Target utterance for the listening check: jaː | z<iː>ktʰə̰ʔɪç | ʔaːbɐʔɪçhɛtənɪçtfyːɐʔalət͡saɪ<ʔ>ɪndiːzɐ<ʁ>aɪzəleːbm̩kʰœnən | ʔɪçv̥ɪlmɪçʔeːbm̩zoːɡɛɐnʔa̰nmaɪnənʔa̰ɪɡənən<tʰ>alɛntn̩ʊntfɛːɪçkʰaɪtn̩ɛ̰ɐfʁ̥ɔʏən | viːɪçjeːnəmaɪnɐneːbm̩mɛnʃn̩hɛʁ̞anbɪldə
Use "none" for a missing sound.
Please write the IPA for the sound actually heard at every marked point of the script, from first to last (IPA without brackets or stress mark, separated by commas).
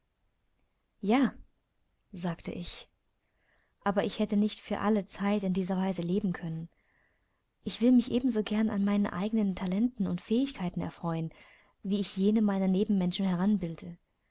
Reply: aː, t, v, tʰ